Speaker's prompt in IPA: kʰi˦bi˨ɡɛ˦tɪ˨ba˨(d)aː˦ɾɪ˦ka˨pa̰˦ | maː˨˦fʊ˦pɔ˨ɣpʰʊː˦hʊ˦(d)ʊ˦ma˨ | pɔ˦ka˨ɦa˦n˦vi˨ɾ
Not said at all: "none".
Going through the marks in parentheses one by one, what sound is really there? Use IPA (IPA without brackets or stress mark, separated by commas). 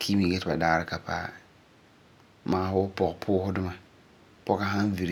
d, d